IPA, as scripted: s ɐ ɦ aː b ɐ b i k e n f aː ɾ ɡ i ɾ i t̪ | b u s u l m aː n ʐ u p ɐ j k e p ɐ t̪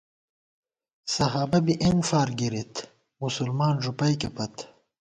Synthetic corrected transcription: s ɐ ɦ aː b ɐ b i ʔ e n f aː ɾ ɡ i ɾ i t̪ | m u s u l m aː n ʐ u p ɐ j k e p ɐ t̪